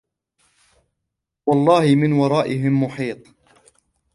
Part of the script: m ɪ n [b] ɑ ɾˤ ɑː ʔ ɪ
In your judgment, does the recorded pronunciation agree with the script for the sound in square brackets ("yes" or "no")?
no